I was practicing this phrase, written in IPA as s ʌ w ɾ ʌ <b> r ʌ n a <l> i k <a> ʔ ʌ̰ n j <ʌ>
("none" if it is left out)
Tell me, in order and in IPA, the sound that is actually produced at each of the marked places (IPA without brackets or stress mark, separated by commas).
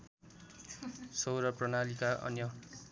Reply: p, l, a, ʌ